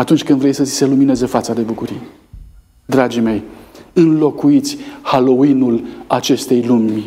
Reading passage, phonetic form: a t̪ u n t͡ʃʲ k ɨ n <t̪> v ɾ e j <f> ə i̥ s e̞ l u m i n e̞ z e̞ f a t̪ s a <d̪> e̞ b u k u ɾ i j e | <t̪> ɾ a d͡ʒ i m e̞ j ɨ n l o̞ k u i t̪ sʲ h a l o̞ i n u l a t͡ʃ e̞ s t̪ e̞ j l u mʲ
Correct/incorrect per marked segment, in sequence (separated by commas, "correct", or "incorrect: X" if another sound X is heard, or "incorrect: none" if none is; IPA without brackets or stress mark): incorrect: d̪, incorrect: s, correct, incorrect: d̪